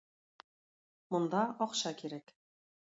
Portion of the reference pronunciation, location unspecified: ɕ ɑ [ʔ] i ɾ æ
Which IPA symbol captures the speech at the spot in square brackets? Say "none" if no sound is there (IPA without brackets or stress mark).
k